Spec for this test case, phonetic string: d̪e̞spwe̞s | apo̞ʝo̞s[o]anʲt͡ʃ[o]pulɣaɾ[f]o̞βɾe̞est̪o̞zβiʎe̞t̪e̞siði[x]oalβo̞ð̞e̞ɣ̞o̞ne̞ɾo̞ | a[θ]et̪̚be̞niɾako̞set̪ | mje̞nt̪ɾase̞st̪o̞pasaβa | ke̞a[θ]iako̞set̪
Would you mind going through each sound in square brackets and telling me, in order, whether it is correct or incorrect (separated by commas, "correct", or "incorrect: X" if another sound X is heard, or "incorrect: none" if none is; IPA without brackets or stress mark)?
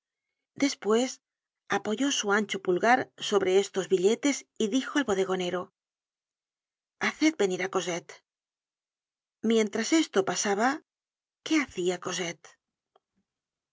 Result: incorrect: u, correct, incorrect: s, correct, correct, correct